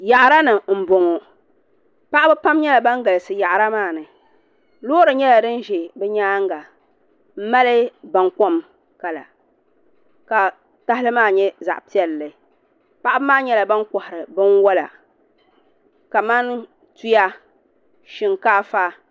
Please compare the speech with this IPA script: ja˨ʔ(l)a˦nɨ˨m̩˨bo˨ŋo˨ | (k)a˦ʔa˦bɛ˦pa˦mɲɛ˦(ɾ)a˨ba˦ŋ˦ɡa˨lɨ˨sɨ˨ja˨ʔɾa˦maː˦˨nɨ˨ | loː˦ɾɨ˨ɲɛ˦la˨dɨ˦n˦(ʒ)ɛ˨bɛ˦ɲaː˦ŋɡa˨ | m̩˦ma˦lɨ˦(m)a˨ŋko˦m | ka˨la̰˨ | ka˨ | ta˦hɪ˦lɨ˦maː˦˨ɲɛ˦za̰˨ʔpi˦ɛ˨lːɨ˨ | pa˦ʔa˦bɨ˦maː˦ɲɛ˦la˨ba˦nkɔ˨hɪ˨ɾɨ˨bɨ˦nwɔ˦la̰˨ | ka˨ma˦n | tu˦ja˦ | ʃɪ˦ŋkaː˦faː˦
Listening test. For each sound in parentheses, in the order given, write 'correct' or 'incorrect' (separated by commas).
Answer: incorrect, incorrect, incorrect, correct, incorrect